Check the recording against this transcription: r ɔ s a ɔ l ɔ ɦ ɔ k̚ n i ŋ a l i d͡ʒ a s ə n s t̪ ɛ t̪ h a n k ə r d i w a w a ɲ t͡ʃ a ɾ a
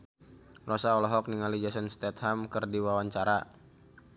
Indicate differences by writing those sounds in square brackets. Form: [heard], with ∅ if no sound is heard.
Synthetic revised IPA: r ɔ s a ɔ l ɔ ɦ ɔ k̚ n i ŋ a l i d͡ʒ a s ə n s t̪ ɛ t̪ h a [m] k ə r d i w a w a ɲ t͡ʃ a ɾ a